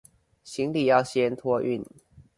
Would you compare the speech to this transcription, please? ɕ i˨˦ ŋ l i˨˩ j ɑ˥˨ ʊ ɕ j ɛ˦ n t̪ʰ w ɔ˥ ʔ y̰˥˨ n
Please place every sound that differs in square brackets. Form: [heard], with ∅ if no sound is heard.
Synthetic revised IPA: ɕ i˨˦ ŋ l i˨˩ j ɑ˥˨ ʊ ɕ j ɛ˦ n t̪ʰ w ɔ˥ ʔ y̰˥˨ n